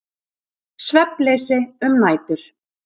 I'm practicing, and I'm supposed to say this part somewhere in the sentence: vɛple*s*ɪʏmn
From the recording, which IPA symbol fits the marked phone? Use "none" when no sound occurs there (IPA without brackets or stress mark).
s